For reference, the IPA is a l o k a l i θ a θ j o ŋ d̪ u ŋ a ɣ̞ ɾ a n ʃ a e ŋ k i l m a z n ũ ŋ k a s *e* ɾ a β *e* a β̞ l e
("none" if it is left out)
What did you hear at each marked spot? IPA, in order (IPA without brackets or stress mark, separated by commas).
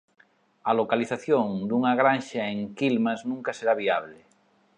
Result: e, i